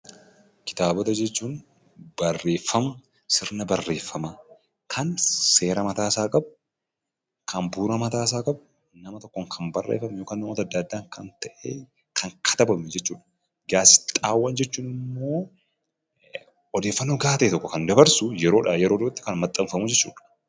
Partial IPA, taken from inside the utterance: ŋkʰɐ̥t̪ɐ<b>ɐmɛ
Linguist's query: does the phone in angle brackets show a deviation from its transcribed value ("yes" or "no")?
no